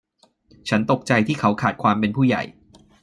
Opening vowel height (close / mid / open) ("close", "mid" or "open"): open